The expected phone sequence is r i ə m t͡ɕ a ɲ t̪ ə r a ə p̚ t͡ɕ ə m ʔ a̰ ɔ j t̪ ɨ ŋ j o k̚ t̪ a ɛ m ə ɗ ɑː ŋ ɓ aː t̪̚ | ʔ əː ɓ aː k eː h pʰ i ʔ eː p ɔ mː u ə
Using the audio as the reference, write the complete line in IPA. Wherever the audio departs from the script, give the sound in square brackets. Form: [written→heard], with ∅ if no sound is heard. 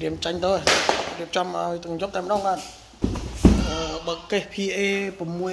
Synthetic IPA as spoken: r i ə m t͡ɕ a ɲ t̪ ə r [a→i] ə p̚ t͡ɕ [ə→ɑ] m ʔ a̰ ɔ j t̪ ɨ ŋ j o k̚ t̪ a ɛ m ə ɗ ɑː ŋ ɓ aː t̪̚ | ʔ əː ɓ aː k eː h pʰ i ʔ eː p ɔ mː u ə